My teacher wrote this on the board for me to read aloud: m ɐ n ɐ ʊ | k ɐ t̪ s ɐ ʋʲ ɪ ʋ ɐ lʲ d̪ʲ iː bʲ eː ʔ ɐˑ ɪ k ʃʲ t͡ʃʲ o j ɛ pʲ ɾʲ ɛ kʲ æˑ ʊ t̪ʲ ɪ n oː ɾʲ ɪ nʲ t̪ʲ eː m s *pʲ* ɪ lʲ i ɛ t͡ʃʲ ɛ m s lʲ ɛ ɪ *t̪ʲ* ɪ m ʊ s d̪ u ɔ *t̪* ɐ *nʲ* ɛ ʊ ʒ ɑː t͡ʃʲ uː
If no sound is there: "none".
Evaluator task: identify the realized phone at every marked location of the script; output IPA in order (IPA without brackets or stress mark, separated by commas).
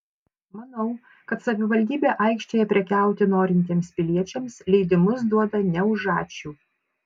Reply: pʲ, d̪ʲ, d̪, nʲ